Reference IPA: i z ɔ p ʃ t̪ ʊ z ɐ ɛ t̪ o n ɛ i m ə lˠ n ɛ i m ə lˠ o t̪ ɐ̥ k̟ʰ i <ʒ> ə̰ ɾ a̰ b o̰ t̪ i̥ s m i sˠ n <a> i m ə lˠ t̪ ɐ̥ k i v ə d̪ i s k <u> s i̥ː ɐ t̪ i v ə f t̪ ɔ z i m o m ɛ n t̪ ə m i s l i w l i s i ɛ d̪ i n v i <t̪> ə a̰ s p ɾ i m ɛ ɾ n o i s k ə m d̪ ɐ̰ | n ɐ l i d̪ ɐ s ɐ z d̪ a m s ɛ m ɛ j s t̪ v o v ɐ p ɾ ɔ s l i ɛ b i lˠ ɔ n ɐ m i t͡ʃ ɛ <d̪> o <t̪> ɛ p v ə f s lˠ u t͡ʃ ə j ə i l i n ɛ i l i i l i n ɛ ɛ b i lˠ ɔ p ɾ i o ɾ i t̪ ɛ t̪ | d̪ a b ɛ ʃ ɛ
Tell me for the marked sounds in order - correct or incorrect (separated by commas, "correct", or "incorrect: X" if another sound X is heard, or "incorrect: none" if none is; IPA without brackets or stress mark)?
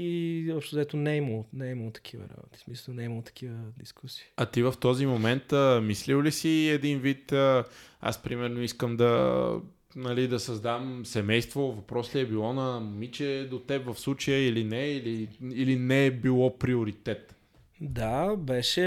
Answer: incorrect: v, incorrect: ɛ, correct, correct, correct, correct